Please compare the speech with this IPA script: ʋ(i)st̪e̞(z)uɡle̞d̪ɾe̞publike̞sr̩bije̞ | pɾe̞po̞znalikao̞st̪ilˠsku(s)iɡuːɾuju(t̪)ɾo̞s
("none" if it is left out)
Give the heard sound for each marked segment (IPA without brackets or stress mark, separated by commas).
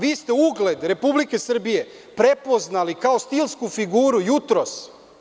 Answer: iː, none, f, t̪